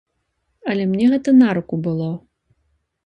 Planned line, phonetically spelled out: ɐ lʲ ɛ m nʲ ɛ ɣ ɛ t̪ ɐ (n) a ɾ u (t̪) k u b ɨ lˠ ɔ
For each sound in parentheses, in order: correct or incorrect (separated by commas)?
correct, incorrect